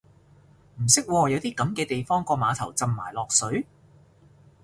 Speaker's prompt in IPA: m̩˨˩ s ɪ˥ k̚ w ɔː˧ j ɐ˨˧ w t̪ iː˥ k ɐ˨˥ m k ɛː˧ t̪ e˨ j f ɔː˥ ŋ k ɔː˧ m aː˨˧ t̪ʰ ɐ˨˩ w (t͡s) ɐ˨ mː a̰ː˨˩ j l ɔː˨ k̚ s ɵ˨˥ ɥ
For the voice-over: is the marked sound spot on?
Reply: yes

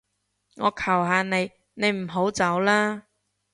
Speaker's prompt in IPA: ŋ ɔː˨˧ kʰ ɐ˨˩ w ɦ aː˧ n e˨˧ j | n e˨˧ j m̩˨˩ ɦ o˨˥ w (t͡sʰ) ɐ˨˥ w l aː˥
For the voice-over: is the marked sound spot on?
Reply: no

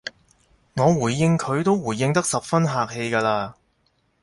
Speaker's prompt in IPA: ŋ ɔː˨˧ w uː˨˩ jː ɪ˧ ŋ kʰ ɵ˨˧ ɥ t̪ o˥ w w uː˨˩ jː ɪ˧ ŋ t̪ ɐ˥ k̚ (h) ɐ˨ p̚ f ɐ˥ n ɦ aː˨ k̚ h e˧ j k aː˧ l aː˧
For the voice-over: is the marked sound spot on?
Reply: no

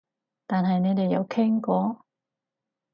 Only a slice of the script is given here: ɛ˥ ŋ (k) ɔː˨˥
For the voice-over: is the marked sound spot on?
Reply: yes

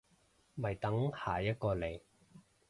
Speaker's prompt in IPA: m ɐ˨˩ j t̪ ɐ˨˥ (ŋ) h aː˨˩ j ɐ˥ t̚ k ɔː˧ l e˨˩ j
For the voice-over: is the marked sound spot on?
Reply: yes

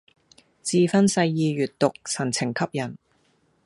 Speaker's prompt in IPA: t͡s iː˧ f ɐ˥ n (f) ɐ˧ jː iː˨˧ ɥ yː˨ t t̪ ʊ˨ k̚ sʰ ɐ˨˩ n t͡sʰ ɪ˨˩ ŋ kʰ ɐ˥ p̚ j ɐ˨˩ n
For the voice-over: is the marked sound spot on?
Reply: no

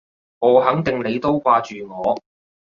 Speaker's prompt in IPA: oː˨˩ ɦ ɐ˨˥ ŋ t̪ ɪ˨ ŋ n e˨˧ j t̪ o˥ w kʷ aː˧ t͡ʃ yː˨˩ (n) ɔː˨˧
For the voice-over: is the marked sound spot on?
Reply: no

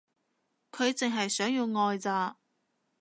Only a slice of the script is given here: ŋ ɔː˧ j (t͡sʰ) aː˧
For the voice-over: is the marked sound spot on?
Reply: no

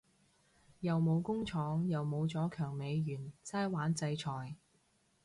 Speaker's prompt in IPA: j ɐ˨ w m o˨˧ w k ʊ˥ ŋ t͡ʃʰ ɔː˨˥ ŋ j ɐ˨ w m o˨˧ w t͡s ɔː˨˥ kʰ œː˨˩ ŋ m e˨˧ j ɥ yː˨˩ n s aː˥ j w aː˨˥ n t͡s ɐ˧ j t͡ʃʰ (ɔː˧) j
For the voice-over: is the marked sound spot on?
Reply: no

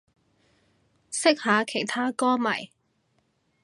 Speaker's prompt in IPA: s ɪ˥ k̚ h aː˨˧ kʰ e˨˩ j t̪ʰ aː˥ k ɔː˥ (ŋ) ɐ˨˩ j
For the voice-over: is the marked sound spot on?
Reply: no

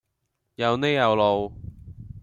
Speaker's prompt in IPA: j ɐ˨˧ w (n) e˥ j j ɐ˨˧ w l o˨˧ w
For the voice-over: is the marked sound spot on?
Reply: yes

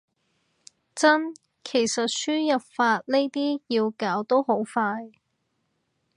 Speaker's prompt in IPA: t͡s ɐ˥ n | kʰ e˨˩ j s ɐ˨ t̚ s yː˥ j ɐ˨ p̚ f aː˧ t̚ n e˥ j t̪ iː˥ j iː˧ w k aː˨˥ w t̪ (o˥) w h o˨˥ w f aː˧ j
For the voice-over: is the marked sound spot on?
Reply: yes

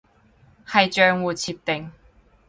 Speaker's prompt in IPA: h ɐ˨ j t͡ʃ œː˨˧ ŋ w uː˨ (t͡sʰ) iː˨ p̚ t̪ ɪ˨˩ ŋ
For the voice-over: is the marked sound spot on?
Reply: yes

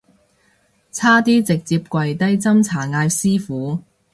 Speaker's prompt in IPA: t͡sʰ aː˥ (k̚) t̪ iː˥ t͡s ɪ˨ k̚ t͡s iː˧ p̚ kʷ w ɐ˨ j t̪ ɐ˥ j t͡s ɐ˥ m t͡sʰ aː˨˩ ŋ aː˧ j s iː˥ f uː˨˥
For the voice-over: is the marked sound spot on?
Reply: no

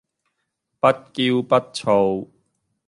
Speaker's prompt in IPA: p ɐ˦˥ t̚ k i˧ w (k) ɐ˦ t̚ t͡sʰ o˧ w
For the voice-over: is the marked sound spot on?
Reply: no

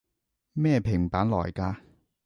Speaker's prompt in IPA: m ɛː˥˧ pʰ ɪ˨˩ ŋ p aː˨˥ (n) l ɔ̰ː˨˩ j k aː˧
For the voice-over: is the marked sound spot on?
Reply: yes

